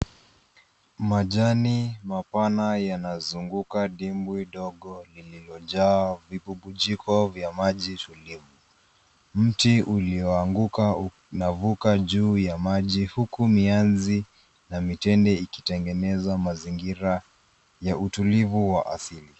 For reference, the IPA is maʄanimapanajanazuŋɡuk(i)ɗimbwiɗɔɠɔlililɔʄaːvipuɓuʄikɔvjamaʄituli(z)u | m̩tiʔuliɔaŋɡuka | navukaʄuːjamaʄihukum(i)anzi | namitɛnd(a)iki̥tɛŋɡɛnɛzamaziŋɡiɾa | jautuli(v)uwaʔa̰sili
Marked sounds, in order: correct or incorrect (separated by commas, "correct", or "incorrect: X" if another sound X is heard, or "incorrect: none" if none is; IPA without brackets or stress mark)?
incorrect: a, incorrect: v, correct, incorrect: ɛ, correct